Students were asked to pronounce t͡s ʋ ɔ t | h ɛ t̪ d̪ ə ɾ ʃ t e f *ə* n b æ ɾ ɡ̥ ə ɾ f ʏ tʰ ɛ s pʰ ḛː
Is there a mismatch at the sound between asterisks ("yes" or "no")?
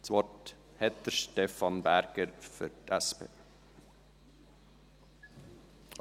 yes